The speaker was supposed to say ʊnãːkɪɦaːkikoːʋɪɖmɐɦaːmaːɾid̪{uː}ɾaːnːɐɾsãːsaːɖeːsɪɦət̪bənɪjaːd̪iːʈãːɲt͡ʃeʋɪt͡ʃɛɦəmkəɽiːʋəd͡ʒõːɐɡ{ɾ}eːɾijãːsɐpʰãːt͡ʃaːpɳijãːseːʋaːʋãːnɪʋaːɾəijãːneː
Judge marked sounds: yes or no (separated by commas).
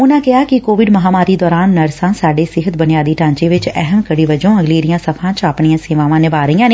no, no